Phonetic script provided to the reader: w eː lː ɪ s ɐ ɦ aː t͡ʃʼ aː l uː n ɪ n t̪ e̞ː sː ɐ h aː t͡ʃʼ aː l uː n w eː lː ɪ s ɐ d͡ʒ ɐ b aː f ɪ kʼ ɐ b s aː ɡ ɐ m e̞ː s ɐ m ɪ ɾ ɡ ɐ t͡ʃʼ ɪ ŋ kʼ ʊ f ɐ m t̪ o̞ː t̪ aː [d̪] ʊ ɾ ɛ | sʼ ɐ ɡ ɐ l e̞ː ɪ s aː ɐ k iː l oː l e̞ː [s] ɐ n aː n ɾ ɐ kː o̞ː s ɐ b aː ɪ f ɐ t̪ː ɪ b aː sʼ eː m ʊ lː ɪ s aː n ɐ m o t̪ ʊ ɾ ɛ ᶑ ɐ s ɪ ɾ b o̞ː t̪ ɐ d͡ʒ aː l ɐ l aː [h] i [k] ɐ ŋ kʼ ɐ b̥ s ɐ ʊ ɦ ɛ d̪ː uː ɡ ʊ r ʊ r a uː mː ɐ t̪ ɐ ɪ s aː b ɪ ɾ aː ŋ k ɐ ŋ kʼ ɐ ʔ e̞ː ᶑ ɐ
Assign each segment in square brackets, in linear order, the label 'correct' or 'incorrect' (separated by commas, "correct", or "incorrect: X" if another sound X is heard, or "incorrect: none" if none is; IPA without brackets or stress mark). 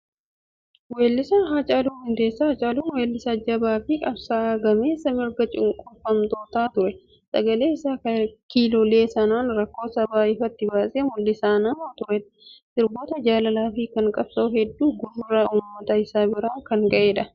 incorrect: t̪, correct, incorrect: f, correct